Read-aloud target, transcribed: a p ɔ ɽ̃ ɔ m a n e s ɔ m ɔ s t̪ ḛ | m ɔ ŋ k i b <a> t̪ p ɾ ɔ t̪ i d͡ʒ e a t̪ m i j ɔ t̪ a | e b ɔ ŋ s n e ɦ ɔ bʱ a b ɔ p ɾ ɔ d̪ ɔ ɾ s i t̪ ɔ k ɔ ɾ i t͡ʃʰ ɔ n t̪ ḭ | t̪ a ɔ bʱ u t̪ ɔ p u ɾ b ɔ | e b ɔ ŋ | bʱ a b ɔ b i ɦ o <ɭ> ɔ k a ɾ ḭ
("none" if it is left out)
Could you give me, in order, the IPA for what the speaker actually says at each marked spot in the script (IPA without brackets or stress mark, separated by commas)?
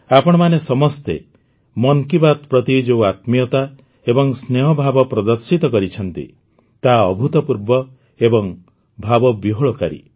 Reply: a, ɭ